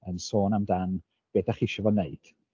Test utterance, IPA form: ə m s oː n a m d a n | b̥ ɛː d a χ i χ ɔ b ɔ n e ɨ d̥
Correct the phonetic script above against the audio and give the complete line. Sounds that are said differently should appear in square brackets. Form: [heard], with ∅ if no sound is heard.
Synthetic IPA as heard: ə [n] s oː n a m d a n | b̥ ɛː d a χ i [ʃ] ɔ [v] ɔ n e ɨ d̥

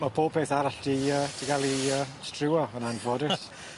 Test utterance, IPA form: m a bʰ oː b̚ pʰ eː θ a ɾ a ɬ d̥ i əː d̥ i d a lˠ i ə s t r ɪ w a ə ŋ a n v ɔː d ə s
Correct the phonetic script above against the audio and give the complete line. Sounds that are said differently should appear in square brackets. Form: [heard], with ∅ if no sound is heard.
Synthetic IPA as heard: m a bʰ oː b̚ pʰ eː θ a ɾ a ɬ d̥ i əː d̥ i [ɡ] a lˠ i ə s t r ɪ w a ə [n] a n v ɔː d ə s

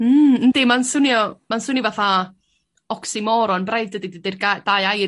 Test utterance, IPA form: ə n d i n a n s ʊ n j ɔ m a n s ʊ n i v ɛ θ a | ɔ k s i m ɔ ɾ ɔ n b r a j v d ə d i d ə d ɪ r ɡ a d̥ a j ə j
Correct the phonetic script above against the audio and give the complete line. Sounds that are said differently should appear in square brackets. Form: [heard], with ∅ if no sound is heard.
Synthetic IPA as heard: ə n d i [m] a n s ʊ n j ɔ m a n s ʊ n i v [a] θ a | ɔ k s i m ɔ ɾ ɔ n b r a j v d ə d i d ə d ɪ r ɡ a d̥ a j [a] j

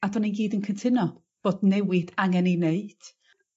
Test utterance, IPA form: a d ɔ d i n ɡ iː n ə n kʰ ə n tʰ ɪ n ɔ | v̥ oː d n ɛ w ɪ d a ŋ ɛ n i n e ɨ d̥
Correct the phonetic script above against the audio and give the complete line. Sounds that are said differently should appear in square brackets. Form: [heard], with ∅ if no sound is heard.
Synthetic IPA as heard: a d ɔ [n] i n ɡ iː [d] ə n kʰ ə n tʰ ɪ n ɔ | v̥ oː d n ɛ w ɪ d a ŋ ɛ n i n e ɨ d̥

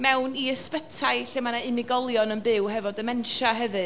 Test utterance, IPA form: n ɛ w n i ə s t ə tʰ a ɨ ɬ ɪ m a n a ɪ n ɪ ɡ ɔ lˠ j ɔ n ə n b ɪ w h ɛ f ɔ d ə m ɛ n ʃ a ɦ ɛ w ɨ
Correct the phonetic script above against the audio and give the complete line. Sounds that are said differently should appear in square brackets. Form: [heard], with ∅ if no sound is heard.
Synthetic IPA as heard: [m] ɛ w n i ə s [p] ə tʰ a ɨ ɬ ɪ m a n a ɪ n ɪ ɡ ɔ lˠ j ɔ n ə n b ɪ w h ɛ [v] ɔ d ə m ɛ n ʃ a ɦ ɛ [v] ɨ

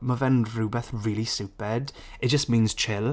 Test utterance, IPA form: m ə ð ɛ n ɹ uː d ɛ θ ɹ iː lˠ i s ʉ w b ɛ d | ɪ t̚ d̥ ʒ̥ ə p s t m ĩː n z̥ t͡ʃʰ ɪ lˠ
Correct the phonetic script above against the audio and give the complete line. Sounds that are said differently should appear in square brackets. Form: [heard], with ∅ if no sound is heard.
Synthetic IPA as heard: m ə [v] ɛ n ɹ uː [b] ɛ θ ɹ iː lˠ i s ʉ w [p] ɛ d | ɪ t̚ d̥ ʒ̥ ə [∅] s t m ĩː n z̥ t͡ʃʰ ɪ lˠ

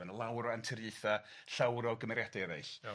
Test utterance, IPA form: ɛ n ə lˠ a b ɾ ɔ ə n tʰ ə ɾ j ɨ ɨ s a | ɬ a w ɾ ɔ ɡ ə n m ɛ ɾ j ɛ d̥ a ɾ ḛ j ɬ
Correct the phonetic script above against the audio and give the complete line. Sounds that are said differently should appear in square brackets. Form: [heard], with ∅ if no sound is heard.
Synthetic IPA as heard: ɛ n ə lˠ a [w] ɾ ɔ [a] n tʰ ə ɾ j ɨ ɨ [θ] a | ɬ a w ɾ ɔ ɡ ə [∅] m ɛ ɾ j [a] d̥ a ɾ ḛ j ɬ

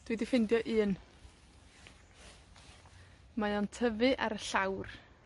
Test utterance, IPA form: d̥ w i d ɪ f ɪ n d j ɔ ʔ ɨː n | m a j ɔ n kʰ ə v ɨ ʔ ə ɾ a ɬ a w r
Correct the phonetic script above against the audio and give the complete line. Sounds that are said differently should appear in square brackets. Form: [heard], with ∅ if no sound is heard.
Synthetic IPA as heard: d̥ w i d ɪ f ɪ n d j ɔ ʔ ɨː n | m a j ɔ n [tʰ] ə v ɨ ʔ [a] ɾ [ə] ɬ a w r

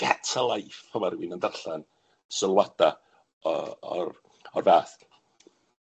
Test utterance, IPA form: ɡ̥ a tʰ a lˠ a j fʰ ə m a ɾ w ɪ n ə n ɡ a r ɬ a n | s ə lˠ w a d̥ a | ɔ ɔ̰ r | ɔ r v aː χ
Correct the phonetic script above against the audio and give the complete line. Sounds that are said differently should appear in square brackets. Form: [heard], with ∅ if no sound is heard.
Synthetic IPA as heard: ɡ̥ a tʰ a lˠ a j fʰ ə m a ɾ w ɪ n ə n [d] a r ɬ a n | s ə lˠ w a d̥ a | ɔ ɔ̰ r | ɔ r v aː [θ]

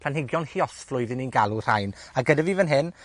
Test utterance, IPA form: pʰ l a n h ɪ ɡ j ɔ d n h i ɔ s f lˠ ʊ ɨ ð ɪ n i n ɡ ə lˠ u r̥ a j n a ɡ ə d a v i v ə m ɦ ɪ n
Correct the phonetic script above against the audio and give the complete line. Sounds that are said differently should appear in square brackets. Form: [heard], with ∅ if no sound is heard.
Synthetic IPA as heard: pʰ l a n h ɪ ɡ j ɔ [∅] n h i ɔ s f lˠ ʊ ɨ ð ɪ n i n ɡ [a] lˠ u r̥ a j n a ɡ ə d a v i v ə [n] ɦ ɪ n

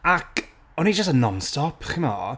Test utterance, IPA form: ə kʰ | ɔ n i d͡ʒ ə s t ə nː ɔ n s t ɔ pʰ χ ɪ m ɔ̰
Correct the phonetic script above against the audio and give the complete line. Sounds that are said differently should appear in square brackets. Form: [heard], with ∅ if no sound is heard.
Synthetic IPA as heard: [a] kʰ | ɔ n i d͡ʒ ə s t ə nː ɔ n s t ɔ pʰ χ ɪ m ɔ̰

